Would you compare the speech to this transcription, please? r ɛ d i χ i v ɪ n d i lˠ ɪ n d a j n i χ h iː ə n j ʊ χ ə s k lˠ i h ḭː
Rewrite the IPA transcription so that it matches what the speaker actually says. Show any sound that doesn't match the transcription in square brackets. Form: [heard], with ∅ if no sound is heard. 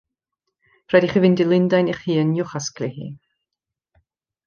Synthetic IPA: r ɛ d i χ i v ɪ n d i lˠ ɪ n d a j n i χ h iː ə n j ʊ χ [a] s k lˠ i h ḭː

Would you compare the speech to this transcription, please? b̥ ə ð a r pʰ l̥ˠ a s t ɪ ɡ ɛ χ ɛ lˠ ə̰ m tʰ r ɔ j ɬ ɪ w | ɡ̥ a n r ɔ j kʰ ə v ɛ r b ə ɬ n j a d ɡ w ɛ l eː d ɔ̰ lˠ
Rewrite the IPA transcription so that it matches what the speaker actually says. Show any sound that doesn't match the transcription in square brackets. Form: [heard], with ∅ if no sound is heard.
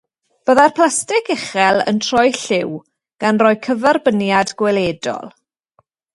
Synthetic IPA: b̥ ə ð a r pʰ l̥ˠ a s t ɪ [k] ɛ χ ɛ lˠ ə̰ [n] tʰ r ɔ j ɬ ɪ w | ɡ̥ a n r ɔ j kʰ ə v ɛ r b ə [∅] n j a d ɡ w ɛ l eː d ɔ̰ lˠ

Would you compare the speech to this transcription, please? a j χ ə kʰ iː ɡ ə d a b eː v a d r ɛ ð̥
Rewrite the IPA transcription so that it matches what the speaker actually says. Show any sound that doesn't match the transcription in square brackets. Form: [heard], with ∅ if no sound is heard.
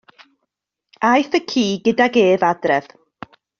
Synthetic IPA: a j [θ] ə kʰ iː ɡ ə d a [ɡ] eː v a d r ɛ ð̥

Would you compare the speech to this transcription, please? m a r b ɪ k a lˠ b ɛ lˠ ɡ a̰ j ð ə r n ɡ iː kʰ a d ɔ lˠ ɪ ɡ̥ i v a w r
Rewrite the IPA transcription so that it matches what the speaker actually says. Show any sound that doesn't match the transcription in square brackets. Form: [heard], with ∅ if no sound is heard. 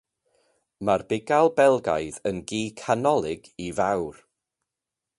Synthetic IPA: m a r b ɪ [ɡ] a lˠ b ɛ lˠ ɡ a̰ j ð ə [∅] n ɡ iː kʰ a [n] ɔ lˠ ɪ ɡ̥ i v a w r

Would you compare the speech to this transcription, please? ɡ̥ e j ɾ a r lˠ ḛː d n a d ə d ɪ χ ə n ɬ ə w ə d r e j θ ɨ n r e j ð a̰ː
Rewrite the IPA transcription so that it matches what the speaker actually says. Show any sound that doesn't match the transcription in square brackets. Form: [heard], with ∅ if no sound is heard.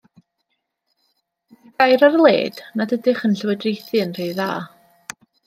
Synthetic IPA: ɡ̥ [a] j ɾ a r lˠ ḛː d n a d ə d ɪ χ ə n ɬ ə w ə d r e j θ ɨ n r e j ð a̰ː

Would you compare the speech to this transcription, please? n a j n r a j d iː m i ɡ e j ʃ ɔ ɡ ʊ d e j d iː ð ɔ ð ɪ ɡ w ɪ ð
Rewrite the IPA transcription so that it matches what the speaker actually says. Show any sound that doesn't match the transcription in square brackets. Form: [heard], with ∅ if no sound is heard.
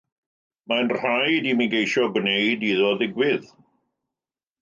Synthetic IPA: [m] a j n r a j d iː m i ɡ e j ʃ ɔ ɡ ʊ [n] e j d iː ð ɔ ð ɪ ɡ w ɪ ð

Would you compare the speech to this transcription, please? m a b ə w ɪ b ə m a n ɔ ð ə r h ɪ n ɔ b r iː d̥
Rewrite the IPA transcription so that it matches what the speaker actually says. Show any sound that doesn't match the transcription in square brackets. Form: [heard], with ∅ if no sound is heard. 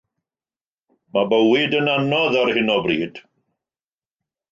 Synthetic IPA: m a b ə w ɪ [d] ə [n] a n ɔ ð [a] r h ɪ n ɔ b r iː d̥

